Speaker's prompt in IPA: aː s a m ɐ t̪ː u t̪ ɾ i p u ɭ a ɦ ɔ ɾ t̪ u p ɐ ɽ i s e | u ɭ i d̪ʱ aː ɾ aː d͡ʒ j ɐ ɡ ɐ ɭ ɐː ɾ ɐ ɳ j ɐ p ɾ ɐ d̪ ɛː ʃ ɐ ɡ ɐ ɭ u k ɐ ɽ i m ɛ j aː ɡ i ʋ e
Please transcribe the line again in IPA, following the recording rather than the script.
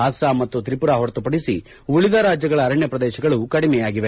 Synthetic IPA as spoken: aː s a m ɐ t̪ː u t̪ ɾ i p u ɾ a ɦ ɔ ɾ t̪ u p ɐ ɽ i s i | u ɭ i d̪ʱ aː ɾ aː d͡ʒ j ɐ ɡ ɐ ɭ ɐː ɾ ɐ ɳ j ɐ p ɾ ɐ d̪ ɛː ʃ ɐ ɡ ɐ ɭ u k ɐ ɽ i m ɛ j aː ɡ i ʋ e